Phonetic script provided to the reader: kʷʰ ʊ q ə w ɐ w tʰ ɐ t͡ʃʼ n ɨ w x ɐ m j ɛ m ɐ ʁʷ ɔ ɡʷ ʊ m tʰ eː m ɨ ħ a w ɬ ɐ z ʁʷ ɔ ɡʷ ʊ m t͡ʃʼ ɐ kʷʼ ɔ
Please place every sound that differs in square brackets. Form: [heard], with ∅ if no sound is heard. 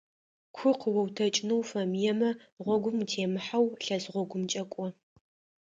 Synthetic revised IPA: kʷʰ ʊ q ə w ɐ w tʰ ɐ t͡ʃʼ n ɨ w [f] ɐ m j ɛ m ɐ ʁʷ ɔ ɡʷ ʊ m tʰ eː m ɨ ħ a w ɬ ɐ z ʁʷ ɔ ɡʷ ʊ m t͡ʃʼ ɐ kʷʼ ɔ